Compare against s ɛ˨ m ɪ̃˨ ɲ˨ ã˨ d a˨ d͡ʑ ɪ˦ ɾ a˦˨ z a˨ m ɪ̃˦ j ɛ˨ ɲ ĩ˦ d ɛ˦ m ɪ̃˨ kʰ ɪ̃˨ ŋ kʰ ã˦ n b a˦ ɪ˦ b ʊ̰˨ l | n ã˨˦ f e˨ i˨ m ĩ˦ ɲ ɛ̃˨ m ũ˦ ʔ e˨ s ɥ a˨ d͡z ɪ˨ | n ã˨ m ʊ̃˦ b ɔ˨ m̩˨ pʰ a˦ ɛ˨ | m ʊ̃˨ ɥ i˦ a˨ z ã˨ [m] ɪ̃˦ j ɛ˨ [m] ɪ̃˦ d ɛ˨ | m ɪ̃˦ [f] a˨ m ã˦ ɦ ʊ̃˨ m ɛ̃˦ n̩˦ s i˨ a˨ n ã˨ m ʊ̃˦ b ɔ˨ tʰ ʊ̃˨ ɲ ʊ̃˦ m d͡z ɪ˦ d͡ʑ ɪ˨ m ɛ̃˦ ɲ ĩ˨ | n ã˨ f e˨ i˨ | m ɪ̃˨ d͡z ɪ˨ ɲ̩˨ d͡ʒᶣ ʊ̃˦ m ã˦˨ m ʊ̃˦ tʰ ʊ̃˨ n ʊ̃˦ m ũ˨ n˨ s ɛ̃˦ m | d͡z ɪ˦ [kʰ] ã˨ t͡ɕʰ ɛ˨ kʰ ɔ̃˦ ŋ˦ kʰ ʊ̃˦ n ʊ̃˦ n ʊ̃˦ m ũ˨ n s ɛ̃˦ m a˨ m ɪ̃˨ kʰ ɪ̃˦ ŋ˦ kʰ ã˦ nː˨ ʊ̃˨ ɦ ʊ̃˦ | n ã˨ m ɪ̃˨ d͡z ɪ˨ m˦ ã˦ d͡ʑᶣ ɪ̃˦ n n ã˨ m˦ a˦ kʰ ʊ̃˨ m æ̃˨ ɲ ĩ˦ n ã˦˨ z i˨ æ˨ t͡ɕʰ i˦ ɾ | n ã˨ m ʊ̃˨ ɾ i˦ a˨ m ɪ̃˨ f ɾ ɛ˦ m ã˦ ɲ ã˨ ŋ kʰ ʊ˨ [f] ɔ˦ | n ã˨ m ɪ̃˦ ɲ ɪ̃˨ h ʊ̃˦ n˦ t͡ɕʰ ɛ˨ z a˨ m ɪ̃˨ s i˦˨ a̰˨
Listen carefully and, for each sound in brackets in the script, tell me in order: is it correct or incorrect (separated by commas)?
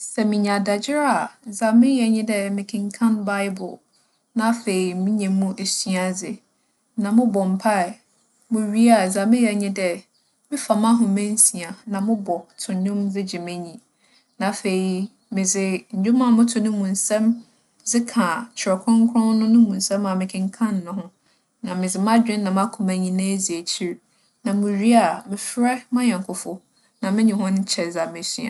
correct, incorrect, correct, correct, correct